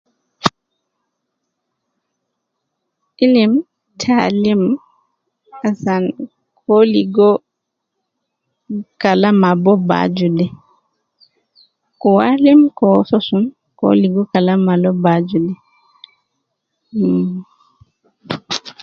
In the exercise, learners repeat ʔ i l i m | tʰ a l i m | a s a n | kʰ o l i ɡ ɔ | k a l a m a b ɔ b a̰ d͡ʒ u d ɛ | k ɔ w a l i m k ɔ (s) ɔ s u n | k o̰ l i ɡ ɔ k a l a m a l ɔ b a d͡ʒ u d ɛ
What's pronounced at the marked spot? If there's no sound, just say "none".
s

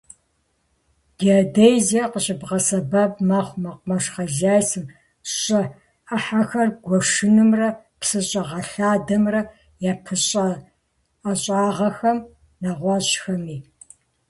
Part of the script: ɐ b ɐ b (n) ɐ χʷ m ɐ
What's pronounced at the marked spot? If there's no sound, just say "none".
m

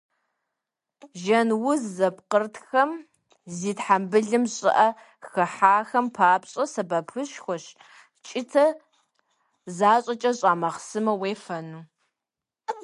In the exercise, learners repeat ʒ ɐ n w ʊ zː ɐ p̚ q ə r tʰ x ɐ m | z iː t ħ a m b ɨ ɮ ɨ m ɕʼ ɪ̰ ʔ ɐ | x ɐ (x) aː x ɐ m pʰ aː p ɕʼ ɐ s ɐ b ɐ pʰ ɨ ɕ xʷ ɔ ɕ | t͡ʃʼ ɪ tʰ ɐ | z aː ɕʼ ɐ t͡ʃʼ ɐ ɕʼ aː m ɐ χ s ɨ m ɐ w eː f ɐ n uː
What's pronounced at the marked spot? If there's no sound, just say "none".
ħ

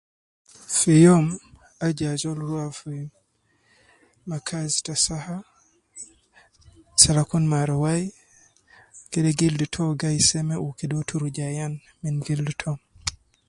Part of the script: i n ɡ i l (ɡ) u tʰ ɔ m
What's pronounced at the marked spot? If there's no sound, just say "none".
d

